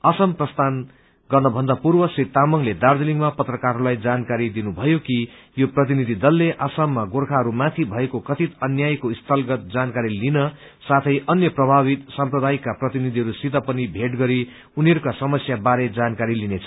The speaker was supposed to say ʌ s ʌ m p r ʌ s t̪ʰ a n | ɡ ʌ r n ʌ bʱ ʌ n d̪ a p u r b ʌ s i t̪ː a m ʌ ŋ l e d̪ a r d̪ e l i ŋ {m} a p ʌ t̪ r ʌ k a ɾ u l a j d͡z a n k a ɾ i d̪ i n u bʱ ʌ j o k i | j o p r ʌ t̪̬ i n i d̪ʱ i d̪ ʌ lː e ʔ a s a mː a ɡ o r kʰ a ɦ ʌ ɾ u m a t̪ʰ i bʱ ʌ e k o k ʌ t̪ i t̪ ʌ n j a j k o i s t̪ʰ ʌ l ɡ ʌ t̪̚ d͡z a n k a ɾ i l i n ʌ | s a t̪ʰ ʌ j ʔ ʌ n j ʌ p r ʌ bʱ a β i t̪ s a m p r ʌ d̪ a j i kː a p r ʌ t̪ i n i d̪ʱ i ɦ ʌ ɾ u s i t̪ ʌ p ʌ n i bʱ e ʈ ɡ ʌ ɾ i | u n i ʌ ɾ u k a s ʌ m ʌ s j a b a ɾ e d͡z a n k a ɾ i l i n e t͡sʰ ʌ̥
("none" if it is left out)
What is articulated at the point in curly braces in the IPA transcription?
m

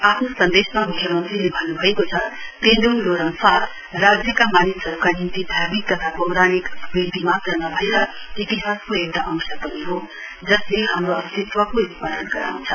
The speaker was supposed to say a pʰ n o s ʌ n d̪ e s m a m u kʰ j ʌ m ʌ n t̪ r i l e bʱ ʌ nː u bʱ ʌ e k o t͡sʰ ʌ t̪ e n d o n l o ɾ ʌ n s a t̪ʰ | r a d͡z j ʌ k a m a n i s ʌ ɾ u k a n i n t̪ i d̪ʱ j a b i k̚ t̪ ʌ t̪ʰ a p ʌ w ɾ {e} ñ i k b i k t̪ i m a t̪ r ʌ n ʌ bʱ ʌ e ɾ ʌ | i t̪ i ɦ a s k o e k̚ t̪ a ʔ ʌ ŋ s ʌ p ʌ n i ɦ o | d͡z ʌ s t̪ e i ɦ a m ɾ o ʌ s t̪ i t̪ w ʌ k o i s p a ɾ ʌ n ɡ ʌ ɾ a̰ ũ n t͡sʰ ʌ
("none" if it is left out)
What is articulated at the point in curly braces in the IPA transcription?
a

